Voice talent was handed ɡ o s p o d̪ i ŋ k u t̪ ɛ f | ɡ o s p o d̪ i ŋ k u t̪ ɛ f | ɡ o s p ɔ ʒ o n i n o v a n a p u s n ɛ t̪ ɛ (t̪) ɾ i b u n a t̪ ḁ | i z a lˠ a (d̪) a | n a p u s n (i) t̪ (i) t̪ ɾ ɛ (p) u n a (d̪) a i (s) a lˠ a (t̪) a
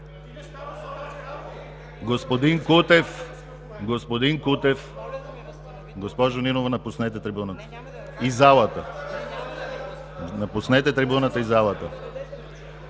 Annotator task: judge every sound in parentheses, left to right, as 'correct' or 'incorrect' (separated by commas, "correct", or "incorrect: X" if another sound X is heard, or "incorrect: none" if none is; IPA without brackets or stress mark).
correct, incorrect: t̪, incorrect: ɛ, incorrect: ɛ, incorrect: b, incorrect: t̪, incorrect: z, correct